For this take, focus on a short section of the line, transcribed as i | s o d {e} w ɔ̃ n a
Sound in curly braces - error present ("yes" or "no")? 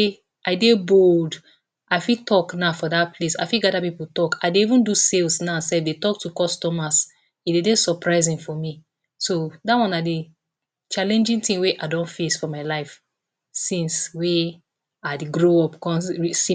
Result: yes